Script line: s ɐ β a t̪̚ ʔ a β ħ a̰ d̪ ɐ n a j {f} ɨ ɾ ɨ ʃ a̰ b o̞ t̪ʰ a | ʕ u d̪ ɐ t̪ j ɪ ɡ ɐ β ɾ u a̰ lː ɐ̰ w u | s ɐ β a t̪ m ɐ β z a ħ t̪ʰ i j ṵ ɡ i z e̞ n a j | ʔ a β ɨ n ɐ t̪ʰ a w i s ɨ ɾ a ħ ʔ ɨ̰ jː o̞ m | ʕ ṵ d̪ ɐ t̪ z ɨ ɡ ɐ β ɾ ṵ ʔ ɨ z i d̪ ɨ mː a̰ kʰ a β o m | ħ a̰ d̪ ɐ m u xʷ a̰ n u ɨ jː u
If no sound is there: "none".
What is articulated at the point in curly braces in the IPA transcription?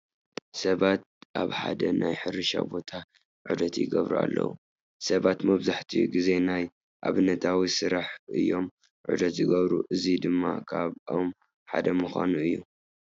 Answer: ħ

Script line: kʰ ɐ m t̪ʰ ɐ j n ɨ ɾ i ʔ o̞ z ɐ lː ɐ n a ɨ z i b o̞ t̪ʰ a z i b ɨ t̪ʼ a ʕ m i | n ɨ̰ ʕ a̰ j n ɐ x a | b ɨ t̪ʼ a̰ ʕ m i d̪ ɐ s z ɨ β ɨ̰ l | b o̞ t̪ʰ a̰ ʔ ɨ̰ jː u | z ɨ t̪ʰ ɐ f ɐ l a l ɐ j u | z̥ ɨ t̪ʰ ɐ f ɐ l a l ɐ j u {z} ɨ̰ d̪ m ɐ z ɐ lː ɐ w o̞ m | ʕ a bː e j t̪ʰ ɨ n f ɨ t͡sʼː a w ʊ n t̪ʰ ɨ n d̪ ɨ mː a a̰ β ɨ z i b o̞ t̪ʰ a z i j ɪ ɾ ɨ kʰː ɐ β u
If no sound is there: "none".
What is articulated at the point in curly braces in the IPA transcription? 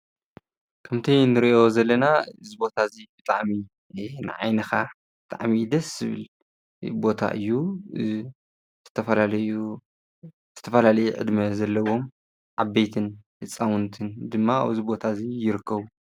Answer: ʕ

